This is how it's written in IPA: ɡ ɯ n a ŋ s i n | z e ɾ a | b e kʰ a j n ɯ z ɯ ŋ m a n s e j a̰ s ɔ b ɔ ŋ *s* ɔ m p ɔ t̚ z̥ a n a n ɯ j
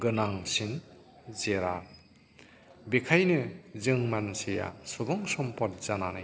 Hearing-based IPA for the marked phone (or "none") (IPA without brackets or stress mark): s